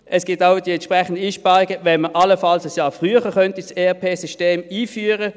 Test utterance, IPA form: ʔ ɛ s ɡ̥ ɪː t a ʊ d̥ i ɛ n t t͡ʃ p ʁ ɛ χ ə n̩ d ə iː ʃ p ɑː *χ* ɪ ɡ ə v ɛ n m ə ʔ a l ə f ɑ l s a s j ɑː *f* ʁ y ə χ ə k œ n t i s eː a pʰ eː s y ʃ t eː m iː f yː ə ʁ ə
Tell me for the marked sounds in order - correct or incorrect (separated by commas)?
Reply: incorrect, correct